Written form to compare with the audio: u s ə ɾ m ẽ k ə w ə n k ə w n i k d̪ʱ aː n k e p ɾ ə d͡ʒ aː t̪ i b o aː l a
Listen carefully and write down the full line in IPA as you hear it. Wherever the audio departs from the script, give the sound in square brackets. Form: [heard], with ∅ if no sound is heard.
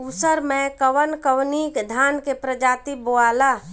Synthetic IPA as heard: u s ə ɾ m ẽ k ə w ə n k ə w n i k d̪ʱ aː n k e p ɾ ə d͡ʒ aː t̪ i b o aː l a